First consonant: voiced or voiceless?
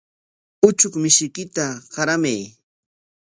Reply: voiceless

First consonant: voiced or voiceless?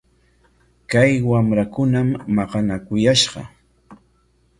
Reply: voiceless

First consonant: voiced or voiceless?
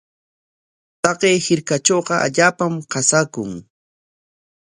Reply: voiceless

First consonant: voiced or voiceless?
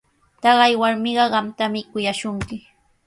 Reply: voiceless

